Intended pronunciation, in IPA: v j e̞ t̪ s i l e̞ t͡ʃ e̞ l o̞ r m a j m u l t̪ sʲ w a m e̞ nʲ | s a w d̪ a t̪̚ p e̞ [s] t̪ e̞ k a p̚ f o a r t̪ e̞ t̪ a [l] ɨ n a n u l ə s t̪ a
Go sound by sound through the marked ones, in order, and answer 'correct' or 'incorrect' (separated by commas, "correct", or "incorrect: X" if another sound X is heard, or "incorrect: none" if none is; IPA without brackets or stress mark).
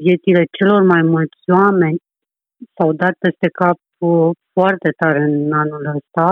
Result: correct, incorrect: ɾ